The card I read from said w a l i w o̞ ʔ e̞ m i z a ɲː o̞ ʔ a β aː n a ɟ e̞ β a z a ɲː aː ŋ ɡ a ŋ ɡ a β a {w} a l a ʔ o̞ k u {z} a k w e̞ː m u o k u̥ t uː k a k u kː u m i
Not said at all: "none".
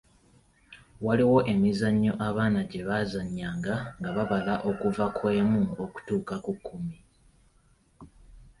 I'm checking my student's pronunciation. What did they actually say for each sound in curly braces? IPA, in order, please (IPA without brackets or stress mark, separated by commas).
β, v